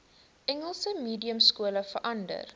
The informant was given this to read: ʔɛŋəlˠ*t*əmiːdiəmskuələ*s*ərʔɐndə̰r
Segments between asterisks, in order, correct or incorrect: incorrect: s, incorrect: f

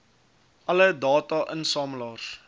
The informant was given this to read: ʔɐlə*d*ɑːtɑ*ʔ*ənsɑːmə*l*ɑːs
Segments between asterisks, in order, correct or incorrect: correct, correct, correct

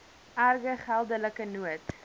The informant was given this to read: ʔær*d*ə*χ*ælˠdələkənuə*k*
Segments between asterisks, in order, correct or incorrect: incorrect: ɡ, correct, incorrect: t

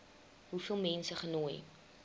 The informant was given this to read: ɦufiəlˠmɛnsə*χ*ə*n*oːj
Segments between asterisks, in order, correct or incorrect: correct, correct

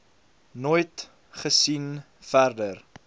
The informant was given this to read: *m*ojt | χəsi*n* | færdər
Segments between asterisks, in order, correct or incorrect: incorrect: n, correct

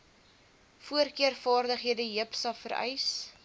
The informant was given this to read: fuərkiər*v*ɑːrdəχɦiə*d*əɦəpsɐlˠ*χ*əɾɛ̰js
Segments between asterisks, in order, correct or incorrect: incorrect: f, correct, incorrect: f

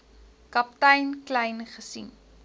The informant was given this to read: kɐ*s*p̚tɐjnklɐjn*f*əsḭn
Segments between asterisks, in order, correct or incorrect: incorrect: none, incorrect: χ

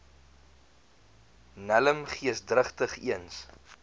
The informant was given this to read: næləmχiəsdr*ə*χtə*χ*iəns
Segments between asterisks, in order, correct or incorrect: correct, correct

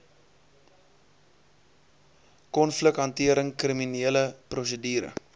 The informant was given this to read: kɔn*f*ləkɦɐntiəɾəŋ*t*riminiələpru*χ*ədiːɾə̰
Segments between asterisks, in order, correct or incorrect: correct, incorrect: k, incorrect: s

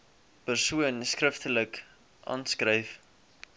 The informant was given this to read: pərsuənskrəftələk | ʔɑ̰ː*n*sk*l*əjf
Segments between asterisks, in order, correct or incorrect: correct, incorrect: r

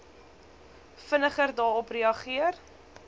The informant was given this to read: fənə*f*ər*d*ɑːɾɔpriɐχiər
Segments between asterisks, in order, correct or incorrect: incorrect: χ, correct

